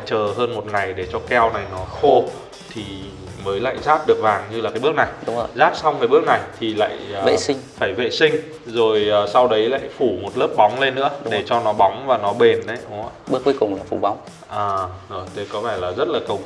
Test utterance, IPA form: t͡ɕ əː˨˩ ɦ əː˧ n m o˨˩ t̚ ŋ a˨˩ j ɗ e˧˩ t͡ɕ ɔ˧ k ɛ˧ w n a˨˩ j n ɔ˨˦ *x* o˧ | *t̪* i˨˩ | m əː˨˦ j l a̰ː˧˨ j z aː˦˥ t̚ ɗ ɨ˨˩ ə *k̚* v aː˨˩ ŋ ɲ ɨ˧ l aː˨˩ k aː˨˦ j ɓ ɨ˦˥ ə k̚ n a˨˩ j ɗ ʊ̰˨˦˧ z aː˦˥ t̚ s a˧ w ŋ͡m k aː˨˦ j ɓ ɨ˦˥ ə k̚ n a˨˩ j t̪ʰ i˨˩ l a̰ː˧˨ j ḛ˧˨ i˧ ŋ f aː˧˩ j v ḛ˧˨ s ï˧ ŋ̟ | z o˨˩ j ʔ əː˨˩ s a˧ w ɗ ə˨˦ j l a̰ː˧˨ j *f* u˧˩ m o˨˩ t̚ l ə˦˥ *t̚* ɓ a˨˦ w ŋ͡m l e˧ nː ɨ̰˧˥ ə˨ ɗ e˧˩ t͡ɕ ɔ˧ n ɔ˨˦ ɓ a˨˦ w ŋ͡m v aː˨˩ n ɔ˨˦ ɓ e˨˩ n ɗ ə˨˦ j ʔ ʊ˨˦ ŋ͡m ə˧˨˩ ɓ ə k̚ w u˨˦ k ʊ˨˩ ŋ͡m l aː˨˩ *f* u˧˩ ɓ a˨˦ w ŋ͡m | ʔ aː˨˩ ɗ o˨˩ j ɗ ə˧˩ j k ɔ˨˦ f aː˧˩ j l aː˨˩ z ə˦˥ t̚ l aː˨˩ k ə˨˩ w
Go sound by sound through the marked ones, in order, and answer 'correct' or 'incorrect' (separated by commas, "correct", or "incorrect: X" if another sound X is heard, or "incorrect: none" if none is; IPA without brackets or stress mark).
correct, incorrect: t̪ʰ, correct, correct, incorrect: p̚, correct